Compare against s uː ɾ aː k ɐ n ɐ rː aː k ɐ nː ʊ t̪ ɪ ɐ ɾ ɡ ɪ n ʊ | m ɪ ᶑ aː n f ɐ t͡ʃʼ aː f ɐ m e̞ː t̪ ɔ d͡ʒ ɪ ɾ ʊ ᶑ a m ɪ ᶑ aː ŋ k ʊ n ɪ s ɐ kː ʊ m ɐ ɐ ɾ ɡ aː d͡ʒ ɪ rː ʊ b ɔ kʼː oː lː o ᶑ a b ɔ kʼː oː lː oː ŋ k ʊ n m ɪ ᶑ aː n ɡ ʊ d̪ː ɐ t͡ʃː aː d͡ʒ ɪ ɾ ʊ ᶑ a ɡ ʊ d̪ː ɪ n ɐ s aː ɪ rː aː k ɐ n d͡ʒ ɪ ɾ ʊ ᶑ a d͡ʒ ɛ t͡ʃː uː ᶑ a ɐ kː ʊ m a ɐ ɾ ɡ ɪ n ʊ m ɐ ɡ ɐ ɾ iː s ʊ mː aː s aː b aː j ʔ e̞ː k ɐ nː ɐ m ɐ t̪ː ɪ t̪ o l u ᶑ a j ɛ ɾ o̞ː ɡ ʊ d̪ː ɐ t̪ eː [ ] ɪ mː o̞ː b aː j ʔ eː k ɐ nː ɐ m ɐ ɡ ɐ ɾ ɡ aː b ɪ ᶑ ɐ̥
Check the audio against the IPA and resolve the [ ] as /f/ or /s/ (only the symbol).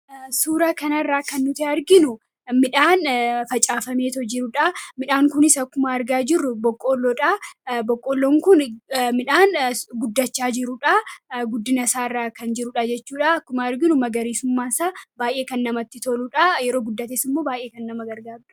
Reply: s